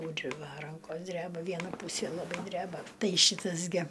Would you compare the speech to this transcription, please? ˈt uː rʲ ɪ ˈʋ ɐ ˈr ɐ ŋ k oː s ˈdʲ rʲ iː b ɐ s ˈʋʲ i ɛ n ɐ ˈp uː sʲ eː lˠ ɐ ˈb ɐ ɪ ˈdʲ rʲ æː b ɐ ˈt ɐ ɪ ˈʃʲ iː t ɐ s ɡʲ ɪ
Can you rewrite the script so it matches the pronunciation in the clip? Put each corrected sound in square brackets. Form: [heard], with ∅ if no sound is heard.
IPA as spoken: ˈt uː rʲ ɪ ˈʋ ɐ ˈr ɐ ŋ k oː s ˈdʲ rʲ [æː] b ɐ [∅] ˈʋʲ i ɛ n ɐ ˈp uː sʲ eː lˠ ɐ ˈb ɐ ɪ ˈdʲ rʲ æː b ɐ ˈt ɐ ɪ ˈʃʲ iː t ɐ s ɡʲ ɪ